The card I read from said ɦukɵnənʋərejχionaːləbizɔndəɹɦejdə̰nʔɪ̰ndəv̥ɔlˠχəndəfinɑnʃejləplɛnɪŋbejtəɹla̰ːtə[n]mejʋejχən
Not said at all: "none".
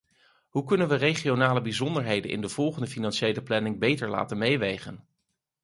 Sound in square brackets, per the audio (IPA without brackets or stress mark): n